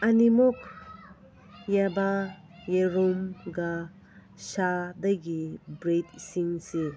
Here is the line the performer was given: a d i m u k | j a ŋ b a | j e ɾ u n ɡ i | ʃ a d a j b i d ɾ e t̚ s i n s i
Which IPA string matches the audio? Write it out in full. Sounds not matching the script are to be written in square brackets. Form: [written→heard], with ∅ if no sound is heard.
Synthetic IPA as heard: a [d→n] i m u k | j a [ŋ→∅] b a | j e ɾ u [n→m] ɡ [i→a] | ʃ a d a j [b→ɡ] i [d→b] ɾ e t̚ s i [n→ŋ] s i